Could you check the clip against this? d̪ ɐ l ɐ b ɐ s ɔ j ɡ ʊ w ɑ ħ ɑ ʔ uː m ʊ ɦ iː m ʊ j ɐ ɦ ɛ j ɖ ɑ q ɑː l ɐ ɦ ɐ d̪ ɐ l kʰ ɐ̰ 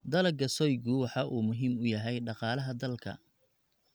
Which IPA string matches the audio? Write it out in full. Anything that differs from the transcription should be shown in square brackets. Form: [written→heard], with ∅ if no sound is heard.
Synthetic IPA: d̪ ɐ l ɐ [b→ɡ] ɐ s ɔ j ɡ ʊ w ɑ ħ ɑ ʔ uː m ʊ ɦ iː m ʊ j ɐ ɦ ɛ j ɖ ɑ q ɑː l ɐ ɦ ɐ d̪ ɐ l kʰ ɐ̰